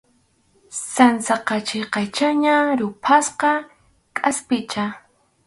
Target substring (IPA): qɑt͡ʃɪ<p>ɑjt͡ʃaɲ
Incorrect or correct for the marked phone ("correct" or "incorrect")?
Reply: incorrect